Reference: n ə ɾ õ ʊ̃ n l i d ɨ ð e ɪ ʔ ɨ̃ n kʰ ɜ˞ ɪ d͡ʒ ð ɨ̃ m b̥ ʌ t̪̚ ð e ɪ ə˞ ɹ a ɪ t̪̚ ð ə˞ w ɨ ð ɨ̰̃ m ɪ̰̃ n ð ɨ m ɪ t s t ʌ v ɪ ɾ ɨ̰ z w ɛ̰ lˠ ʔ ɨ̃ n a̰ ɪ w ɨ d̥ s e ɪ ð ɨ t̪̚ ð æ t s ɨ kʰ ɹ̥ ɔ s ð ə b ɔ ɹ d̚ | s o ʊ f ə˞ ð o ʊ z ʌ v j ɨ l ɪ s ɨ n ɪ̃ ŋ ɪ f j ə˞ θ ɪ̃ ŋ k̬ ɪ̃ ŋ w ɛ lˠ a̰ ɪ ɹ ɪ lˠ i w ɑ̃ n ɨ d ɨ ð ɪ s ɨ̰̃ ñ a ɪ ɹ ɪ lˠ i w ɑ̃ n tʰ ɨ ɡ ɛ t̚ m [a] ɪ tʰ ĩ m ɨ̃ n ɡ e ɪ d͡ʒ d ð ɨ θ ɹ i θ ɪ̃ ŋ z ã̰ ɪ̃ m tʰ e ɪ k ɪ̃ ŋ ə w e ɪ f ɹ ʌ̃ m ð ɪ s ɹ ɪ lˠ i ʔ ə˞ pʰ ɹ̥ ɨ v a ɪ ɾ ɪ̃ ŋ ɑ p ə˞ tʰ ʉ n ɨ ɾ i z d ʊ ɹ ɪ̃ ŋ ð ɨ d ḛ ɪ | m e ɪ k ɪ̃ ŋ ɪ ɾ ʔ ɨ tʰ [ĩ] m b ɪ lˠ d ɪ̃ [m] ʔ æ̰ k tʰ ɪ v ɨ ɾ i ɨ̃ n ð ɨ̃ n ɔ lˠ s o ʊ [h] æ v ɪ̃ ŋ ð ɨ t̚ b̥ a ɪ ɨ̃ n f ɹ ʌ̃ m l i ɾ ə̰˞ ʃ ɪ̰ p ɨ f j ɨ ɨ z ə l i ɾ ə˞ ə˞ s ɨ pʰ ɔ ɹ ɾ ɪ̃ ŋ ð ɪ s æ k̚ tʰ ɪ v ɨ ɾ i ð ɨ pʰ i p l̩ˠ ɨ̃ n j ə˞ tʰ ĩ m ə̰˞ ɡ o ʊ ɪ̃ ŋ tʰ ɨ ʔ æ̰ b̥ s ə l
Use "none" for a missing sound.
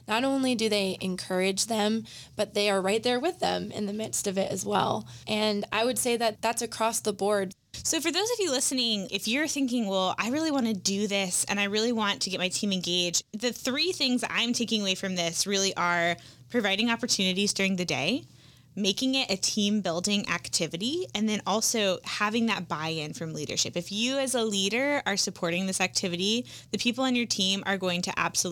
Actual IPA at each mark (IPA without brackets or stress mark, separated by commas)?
a, ĩ, ŋ, h